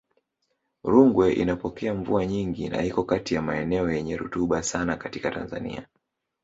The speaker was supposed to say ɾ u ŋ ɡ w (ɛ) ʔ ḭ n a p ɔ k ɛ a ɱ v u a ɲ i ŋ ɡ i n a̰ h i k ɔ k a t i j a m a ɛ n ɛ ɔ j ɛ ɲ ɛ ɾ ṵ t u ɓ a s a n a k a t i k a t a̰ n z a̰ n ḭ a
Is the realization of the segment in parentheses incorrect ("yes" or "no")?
no